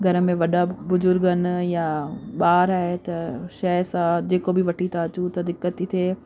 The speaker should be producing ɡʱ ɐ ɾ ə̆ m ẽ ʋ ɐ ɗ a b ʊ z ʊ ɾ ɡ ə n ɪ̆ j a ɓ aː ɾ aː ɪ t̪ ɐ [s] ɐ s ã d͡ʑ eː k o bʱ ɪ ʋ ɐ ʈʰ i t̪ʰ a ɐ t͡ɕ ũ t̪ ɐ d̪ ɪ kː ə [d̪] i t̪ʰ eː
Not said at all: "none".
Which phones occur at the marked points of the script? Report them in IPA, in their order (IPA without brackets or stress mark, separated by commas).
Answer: ʃ, t̪